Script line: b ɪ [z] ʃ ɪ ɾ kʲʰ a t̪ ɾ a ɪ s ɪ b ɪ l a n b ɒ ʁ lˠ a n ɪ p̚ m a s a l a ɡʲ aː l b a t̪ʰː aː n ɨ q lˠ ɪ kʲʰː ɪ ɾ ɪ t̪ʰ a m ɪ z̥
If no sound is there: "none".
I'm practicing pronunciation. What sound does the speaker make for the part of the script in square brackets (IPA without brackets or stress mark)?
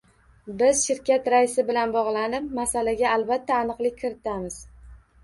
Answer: z